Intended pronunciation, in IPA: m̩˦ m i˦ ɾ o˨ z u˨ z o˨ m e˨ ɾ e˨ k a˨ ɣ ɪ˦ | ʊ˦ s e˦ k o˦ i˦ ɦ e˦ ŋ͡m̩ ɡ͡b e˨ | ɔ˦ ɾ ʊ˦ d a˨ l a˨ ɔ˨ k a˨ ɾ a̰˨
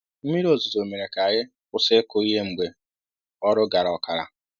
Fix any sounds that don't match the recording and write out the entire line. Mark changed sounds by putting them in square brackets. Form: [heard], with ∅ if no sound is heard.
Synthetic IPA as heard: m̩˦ m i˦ ɾ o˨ z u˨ z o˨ m e˨ ɾ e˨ k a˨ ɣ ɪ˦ | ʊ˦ s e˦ k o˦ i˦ ɦ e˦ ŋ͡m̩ ɡ͡b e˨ | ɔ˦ ɾ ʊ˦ [ɡ] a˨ [ɾ] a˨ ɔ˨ k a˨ ɾ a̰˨

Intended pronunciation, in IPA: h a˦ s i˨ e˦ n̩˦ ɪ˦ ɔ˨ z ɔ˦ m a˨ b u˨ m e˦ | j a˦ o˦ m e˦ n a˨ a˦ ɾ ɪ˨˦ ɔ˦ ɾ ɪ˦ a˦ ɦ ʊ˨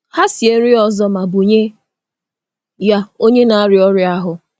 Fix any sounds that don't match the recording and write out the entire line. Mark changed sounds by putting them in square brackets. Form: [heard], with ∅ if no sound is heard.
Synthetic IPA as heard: h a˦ s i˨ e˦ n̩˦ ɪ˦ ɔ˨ z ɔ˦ m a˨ b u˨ [ɲ] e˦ | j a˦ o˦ [ɲ] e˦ n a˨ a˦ ɾ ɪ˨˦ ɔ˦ ɾ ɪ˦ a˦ ɦ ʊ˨

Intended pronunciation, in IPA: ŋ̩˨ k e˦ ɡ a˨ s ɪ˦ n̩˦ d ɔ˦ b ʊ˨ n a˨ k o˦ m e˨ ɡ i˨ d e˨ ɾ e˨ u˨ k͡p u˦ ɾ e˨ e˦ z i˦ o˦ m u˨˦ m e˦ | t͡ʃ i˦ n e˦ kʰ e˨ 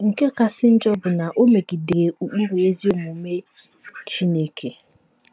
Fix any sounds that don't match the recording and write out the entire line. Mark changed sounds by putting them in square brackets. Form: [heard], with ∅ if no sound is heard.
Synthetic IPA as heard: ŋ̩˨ k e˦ [k] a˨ s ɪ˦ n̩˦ [d͡ʒ] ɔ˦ b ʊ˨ n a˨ [ʔ] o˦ m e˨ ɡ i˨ d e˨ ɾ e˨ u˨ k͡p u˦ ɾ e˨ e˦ z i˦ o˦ m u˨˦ m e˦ | t͡ʃ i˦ n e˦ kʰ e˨

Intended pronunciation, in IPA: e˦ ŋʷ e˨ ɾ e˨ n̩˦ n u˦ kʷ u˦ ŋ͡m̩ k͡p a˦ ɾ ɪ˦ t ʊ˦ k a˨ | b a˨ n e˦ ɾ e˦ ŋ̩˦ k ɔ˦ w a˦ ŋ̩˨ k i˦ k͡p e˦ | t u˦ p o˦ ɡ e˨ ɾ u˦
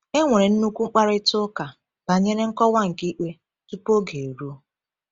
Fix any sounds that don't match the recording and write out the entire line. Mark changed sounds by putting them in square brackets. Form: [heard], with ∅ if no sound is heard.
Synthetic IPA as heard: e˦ ŋʷ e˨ ɾ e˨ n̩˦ n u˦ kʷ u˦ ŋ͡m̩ k͡p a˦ ɾ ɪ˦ t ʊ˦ k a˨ | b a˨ [ɲ] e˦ ɾ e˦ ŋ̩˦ k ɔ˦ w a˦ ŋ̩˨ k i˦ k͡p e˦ | t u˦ p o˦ ɡ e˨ ɾ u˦

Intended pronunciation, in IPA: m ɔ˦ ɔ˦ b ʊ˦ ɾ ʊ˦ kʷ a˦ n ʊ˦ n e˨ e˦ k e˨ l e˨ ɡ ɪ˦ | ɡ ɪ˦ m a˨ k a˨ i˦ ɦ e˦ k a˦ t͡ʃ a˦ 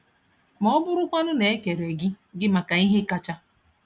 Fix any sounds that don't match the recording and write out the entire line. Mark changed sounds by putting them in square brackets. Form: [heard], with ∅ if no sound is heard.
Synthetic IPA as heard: m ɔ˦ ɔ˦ b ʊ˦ ɾ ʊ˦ kʷ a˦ n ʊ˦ n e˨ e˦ k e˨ [ɾ] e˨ ɡ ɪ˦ | ɡ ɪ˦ m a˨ k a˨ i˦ ɦ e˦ k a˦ t͡ʃ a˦

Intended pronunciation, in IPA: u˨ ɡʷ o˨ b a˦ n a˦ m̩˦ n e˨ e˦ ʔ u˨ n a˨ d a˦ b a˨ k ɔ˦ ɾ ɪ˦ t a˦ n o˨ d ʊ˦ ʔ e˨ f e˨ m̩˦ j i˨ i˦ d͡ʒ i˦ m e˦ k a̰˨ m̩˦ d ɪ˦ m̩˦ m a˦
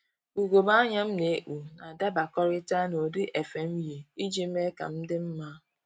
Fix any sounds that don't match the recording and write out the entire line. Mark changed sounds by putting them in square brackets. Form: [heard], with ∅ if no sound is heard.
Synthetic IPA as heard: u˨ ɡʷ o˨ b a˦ [ɲ] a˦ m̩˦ n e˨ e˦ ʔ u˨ n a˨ d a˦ b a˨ k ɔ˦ ɾ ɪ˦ t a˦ n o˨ d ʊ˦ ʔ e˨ f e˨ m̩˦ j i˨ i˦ d͡ʒ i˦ m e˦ k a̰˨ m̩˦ d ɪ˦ m̩˦ m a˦

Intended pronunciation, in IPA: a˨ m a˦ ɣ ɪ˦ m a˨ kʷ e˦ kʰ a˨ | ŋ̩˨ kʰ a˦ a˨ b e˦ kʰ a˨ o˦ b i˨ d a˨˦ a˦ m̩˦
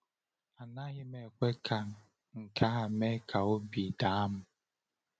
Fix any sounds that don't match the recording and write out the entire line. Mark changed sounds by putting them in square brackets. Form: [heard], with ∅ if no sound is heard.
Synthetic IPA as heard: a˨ [n] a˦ ɣ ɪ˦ m [e˨] kʷ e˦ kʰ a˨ | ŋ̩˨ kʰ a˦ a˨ [m] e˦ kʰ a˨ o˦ b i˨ d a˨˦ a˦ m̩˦

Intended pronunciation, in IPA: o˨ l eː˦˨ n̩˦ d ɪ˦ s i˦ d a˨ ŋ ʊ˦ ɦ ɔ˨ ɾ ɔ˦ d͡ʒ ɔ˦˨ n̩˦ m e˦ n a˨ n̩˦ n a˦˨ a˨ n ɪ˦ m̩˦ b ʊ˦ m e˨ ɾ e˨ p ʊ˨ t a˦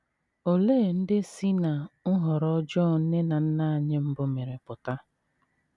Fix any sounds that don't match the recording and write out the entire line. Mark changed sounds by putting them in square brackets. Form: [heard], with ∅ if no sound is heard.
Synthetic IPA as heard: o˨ l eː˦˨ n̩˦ d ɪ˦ s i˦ [n] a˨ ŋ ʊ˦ ɦ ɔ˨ ɾ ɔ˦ d͡ʒ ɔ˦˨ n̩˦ [n] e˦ n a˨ n̩˦ n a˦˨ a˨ [ɲ] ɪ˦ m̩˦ b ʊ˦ m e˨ ɾ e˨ p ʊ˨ t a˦

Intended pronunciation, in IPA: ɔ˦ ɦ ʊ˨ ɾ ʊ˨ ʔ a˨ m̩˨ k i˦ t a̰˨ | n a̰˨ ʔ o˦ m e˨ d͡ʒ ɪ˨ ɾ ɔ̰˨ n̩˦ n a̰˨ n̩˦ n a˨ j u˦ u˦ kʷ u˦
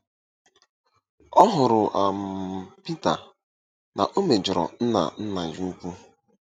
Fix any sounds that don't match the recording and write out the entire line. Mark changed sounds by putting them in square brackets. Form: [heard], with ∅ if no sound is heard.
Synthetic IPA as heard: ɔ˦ ɦ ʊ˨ ɾ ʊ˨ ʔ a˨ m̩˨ [p] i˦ t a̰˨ | n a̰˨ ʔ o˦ m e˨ d͡ʒ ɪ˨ ɾ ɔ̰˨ n̩˦ n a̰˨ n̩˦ n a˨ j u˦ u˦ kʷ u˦

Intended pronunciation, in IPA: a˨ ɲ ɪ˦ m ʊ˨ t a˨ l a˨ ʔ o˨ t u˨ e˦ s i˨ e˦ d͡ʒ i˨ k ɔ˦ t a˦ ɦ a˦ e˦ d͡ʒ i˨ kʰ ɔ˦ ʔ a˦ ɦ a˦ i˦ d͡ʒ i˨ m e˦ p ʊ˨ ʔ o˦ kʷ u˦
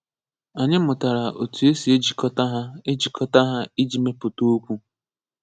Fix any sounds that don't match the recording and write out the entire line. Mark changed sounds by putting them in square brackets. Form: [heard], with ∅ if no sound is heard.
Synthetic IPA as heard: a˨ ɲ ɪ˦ m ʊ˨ t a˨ [ɾ] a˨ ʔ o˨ t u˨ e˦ s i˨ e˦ d͡ʒ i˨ k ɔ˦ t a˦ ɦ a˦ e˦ d͡ʒ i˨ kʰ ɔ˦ [t] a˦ ɦ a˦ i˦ d͡ʒ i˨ m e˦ p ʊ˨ [t] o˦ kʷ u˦

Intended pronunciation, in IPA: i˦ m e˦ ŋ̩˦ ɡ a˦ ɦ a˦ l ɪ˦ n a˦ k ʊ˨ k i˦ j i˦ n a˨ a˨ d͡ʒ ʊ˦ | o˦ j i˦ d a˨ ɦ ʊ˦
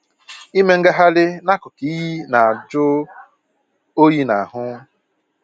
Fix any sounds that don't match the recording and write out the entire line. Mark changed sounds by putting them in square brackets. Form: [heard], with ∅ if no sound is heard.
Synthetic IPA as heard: i˦ m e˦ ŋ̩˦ ɡ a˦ ɦ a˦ l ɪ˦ n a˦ k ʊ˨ k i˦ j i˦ n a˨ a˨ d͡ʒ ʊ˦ | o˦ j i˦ [n] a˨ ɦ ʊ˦

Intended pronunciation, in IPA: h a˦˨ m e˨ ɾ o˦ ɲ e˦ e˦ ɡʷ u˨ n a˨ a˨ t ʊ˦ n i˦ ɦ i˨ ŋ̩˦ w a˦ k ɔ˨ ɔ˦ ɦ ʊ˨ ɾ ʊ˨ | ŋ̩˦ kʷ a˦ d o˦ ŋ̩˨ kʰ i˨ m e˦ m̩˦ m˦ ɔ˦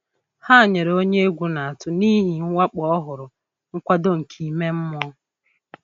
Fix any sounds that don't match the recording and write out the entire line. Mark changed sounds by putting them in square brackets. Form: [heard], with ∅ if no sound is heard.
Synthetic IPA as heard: h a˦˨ [ɲ] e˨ ɾ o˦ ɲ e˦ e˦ ɡʷ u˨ n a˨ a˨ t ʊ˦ n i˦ ɦ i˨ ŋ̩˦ w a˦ [k͡p] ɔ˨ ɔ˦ ɦ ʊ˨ ɾ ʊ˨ | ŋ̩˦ kʷ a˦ d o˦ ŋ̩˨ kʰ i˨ m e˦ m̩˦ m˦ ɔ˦

